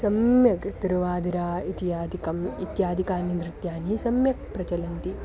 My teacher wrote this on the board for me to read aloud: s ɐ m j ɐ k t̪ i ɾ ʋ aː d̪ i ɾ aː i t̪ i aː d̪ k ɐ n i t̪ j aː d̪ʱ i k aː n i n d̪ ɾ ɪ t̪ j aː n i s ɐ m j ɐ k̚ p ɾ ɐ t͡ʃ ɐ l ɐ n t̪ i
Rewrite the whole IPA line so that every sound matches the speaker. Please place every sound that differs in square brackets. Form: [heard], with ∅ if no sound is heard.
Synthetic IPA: s ɐ m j ɐ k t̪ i ɾ ʋ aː d̪ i ɾ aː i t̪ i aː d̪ k ɐ [m] i t̪ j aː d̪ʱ i k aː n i n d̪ ɾ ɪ t̪ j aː n i s ɐ m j ɐ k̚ p ɾ ɐ t͡ʃ ɐ l ɐ n t̪ i

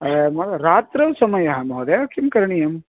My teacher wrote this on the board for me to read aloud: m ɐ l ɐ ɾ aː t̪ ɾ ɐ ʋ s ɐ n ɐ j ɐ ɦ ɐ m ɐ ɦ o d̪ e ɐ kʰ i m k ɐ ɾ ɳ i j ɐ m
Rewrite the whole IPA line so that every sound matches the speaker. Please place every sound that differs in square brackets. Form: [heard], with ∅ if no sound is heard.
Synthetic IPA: m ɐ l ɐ ɾ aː t̪ ɾ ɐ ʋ s ɐ [m] ɐ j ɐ ɦ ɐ m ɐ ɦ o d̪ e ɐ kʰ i m k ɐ ɾ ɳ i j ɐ m

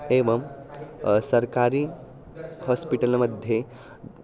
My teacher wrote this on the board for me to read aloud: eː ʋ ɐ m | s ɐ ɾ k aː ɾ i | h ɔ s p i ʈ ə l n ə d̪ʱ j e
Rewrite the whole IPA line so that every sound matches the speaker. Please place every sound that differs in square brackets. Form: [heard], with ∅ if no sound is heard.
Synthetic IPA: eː ʋ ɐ m | s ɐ ɾ k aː ɾ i | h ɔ s p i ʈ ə l [m] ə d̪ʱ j e

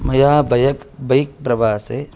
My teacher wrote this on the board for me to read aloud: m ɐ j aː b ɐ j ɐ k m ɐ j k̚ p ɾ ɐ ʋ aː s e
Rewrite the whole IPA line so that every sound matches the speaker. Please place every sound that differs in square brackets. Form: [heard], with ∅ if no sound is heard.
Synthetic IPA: m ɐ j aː b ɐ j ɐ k [b] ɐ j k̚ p ɾ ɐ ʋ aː s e

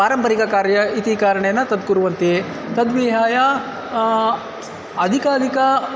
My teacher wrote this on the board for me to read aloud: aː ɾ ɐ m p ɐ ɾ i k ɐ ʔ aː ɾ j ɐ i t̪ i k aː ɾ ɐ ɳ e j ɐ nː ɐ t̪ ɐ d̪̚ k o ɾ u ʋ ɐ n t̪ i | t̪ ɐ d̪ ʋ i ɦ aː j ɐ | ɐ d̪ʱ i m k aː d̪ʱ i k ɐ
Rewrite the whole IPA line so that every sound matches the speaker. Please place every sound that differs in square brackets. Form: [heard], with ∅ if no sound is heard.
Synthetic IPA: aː ɾ ɐ m p ɐ ɾ i k ɐ [k] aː ɾ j ɐ i t̪ i k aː ɾ ɐ ɳ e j ɐ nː ɐ t̪ ɐ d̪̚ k [u] ɾ u ʋ ɐ n t̪ i | t̪ ɐ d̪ ʋ i ɦ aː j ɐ | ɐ d̪ʱ i [∅] k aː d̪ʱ i k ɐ

